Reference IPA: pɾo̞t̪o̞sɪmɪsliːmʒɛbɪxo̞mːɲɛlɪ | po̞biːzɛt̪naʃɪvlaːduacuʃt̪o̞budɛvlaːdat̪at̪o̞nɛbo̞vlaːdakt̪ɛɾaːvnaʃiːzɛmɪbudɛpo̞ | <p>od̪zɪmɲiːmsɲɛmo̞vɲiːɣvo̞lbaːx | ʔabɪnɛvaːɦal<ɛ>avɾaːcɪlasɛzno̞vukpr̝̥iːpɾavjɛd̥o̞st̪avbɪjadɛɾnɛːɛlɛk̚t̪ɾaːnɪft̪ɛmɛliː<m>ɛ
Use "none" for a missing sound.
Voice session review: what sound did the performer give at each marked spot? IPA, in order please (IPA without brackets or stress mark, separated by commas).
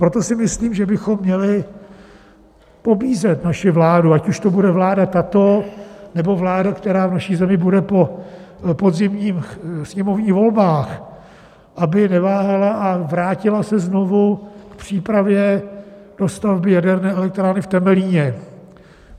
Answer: p, a, ɲ